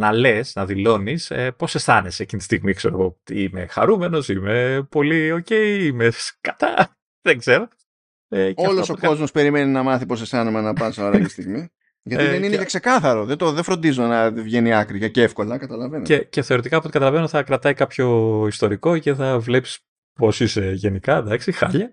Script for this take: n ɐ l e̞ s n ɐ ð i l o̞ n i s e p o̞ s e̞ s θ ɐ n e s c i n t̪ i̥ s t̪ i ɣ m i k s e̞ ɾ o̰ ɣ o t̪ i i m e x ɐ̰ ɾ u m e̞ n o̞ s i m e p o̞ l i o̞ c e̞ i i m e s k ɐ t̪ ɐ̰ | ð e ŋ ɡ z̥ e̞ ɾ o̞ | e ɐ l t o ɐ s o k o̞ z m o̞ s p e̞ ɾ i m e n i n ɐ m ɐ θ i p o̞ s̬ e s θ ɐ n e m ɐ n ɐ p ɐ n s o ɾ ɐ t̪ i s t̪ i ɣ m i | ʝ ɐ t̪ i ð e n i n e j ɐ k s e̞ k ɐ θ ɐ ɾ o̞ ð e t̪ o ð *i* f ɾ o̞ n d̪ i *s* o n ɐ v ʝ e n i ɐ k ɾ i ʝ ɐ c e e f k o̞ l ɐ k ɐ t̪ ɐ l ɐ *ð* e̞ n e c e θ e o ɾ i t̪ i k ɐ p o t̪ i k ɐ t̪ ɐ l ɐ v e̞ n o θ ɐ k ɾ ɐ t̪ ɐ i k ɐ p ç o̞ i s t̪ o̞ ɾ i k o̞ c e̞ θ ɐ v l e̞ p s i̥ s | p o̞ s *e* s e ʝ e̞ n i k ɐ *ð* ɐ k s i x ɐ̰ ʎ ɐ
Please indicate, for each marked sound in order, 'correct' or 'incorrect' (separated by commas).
incorrect, incorrect, incorrect, incorrect, correct